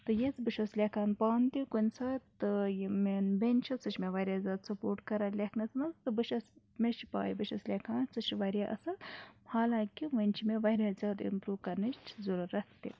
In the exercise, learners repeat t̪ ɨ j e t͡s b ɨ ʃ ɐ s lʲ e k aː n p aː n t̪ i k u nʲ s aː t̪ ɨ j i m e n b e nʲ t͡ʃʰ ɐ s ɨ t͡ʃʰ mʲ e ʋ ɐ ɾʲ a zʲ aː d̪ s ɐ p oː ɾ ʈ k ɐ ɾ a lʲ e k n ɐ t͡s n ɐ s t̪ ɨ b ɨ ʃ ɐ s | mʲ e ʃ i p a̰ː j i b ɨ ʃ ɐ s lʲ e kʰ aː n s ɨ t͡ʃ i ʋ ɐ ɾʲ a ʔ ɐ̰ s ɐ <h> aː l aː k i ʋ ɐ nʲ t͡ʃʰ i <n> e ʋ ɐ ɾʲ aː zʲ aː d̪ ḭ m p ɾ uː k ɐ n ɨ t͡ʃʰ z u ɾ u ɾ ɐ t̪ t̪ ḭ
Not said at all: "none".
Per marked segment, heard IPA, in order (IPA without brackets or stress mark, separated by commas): h, m